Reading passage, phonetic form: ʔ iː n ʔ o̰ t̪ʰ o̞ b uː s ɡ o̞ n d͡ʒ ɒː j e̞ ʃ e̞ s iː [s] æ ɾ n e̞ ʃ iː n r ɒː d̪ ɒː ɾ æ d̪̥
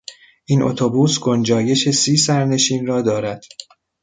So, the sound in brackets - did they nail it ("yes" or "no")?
yes